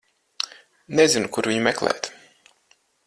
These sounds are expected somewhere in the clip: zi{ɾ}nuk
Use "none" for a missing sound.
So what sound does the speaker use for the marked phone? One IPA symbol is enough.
none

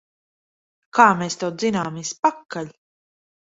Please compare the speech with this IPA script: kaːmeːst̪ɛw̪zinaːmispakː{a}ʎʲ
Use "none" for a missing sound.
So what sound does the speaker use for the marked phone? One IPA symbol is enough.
a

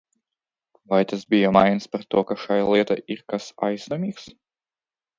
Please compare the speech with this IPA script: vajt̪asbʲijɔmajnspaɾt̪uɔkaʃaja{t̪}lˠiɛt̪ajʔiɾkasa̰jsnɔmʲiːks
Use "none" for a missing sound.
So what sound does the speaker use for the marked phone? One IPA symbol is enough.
none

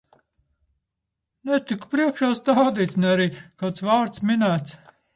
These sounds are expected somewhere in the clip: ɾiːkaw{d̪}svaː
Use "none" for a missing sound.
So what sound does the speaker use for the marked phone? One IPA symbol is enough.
t̪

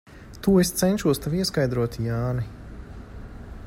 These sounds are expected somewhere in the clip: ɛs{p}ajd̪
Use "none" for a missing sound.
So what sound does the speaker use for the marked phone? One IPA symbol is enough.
k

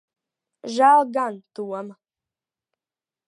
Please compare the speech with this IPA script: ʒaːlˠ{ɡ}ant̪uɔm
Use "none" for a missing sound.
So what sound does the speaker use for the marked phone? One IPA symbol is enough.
ɡ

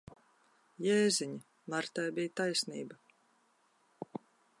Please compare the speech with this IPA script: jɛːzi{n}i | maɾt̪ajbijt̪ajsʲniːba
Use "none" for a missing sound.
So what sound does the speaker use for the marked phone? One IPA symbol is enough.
ɲ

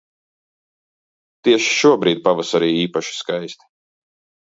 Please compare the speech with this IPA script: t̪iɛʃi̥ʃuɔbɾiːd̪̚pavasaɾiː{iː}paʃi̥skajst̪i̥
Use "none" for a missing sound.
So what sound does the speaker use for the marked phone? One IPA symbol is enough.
iː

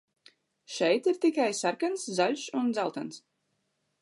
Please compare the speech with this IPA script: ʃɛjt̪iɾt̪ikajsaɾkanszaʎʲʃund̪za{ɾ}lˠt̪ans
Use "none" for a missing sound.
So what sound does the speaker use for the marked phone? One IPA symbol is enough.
none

